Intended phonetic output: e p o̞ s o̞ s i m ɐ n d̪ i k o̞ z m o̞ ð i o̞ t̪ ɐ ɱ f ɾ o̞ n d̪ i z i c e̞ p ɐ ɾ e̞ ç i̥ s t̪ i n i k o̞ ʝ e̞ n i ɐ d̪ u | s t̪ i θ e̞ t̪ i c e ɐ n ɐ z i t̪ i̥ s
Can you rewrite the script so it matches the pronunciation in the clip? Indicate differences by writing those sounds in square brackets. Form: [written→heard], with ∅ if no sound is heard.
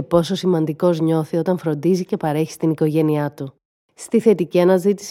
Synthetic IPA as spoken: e p o̞ s o̞ s i m ɐ n d̪ i k o̞ z [m→ɲ] o̞ [ð→θ] i o̞ t̪ ɐ ɱ f ɾ o̞ n d̪ i z i c e̞ p ɐ ɾ e̞ ç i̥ s t̪ i n i k o̞ ʝ e̞ n i ɐ [d̪→t̪] u | s t̪ i θ e̞ t̪ i c [e→i] ɐ n ɐ z i t̪ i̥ s